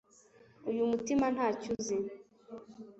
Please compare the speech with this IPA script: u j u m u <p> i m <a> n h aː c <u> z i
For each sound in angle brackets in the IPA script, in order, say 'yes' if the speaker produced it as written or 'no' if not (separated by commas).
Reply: no, yes, yes